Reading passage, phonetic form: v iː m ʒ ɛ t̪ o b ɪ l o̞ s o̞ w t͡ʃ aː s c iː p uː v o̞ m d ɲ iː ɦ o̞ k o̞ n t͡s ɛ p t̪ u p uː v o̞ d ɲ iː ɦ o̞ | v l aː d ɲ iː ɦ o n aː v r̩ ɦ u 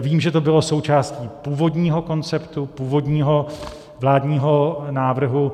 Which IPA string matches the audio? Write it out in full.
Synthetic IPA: v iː m ʒ ɛ t̪ o b ɪ l o̞ s o̞ w t͡ʃ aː s c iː p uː v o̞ d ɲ iː ɦ o̞ k o̞ n t͡s ɛ p t̪ u p uː v o̞ d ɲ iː ɦ o̞ | v l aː d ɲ iː ɦ o n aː v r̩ ɦ u

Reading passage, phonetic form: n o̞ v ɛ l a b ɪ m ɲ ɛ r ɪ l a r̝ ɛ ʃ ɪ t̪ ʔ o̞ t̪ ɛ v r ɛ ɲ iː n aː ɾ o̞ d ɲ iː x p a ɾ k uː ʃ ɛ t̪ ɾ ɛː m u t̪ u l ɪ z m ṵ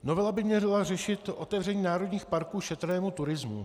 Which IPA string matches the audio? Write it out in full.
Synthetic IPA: n o̞ v ɛ l a b ɪ m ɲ ɛ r ɪ l a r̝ ɛ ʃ ɪ t̪ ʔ o̞ t̪ ɛ v r ɛ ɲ iː n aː ɾ o̞ d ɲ iː x p a ɾ k uː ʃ ɛ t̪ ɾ ɛː m u t̪ u ɾ ɪ z m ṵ

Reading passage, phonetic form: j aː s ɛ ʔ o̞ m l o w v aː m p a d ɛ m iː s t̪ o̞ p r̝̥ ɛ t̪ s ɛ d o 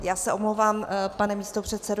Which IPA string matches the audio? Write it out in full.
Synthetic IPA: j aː s ɛ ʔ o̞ m l o w v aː m p a n ɛ m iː s t̪ o̞ p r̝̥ ɛ t̪ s ɛ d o

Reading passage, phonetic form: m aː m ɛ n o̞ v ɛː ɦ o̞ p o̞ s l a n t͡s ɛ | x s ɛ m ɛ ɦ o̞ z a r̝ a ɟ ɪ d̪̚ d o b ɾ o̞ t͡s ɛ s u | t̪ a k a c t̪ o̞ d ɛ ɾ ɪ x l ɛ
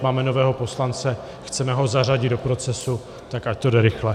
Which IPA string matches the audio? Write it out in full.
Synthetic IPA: m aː m ɛ n o̞ v ɛː ɦ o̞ p o̞ s l a n t͡s ɛ | x t͡s ɛ m ɛ ɦ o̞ z a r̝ a ɟ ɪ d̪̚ d o p ɾ o̞ t͡s ɛ s u | t̪ a k a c t̪ o̞ d ɛ ɾ ɪ x l ɛ

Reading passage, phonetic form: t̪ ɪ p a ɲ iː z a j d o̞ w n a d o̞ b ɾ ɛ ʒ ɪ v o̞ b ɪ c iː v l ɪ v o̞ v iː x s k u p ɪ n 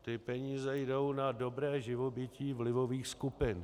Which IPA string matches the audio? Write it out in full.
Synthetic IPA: t̪ ɪ p ɛ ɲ iː z ɛ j d o̞ w n a d o̞ b ɾ ɛː ʒ ɪ v o̞ b ɪ c iː v l ɪ v o̞ v iː x s k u p ɪ n

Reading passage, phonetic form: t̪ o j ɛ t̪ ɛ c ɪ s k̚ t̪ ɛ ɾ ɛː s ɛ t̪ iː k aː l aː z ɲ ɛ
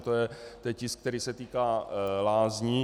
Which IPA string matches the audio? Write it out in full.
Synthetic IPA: t̪ o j ɛ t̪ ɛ c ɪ s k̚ t̪ ɛ ɾ iː s ɛ t̪ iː k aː l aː z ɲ i

